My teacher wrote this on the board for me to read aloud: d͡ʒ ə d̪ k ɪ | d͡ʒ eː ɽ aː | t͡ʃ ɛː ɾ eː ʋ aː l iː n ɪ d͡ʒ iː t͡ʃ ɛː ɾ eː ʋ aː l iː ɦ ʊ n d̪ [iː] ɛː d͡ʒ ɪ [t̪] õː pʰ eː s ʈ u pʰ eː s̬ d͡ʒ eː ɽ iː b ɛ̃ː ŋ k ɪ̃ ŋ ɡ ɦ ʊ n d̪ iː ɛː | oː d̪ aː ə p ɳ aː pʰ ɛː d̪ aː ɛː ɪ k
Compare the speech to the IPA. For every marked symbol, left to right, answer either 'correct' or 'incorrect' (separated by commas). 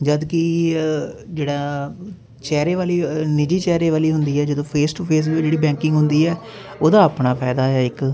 correct, incorrect